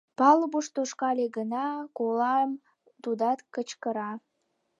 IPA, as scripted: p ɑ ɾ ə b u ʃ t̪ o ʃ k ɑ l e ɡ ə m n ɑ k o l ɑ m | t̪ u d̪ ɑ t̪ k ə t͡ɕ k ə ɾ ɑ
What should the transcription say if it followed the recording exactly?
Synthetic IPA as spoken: p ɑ l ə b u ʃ t̪ o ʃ k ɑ l e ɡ ə n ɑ k o l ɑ m | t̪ u d̪ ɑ t̪ k ə t͡ɕ k ə ɾ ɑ